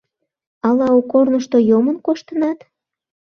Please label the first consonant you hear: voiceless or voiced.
voiced